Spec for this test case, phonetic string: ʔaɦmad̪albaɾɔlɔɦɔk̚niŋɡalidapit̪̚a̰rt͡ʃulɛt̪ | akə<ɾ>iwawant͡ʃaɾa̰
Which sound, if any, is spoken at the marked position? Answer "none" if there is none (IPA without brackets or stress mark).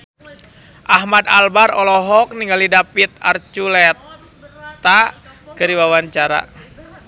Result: ɾ